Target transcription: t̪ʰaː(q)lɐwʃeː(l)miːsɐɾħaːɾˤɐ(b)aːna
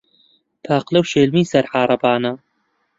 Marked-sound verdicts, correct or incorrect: correct, correct, correct

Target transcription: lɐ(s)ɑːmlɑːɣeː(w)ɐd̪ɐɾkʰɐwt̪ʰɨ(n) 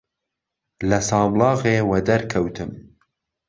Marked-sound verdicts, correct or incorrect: correct, correct, incorrect: m

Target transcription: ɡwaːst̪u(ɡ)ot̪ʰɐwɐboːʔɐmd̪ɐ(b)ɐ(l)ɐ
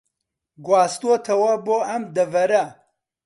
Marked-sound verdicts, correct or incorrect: incorrect: none, incorrect: v, incorrect: ɾ

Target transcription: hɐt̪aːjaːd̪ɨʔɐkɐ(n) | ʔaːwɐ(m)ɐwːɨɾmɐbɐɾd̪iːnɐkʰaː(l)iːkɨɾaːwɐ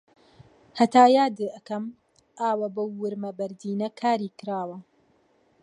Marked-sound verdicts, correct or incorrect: incorrect: m, incorrect: b, incorrect: ɾ

